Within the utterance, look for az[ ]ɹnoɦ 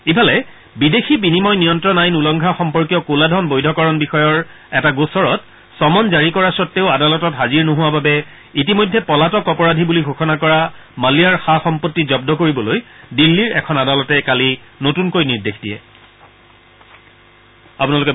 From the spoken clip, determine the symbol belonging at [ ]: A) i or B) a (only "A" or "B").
A